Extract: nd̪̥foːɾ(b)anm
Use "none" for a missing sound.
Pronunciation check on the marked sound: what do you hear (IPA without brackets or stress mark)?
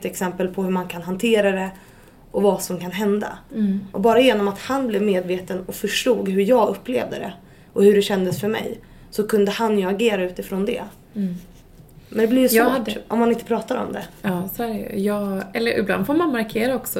m